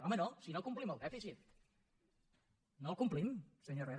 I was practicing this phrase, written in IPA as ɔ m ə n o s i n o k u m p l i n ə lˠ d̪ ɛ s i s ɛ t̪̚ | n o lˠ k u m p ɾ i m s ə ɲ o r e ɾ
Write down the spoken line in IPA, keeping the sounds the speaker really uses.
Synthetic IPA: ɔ m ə n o s i n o k u m p l i m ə lˠ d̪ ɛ f i s i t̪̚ | n o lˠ k u m p l i m s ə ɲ o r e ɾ